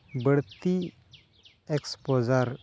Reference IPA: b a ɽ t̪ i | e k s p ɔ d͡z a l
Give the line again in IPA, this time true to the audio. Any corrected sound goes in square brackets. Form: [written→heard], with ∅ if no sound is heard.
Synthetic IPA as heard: b [a→ə] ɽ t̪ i | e k s p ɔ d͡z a [l→ɾ]